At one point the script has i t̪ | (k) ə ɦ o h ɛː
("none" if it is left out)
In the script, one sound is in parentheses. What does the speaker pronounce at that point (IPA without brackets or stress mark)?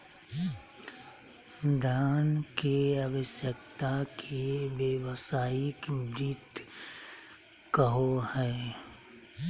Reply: k